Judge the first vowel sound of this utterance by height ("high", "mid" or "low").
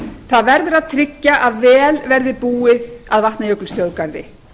low